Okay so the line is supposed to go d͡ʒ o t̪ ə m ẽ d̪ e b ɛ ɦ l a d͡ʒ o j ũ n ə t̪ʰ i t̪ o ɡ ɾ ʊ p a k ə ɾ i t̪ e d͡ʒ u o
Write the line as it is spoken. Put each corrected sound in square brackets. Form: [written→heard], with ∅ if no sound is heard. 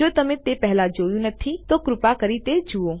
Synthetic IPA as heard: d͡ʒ o t̪ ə m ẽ [d̪→t̪] e [b→p] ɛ ɦ l a d͡ʒ o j ũ n ə t̪ʰ i t̪ o [ɡ→k] ɾ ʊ p a k ə ɾ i t̪ e d͡ʒ u o